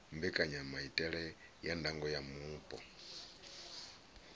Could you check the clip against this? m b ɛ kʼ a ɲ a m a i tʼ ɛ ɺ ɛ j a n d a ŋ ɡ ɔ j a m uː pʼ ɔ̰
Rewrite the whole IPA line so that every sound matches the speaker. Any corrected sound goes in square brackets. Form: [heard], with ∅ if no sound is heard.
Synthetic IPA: m b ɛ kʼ a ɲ a m a i tʼ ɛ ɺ ɛ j a n d a ŋ ɡ ɔ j a m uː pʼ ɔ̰